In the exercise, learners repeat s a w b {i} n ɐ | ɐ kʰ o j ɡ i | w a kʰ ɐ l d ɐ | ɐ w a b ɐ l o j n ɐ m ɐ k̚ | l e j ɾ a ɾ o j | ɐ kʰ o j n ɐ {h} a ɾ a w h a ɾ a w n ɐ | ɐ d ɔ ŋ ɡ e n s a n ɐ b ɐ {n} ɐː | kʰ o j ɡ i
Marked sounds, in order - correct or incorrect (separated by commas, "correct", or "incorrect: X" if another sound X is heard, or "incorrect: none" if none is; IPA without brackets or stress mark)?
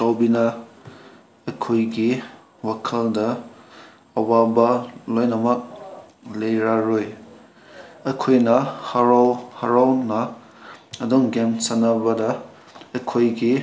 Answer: correct, correct, incorrect: d